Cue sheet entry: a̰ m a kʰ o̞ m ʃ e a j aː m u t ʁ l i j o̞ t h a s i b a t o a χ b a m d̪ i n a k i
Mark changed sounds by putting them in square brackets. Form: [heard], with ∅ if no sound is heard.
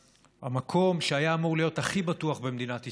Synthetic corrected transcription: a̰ m a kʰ o̞ m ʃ e a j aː m u [∅] ʁ l i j o̞ t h a [χ] i b a t [u] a χ b [e] m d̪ i n a [t] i